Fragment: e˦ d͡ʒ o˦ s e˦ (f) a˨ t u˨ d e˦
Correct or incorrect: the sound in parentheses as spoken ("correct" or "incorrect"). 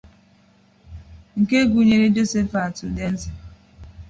correct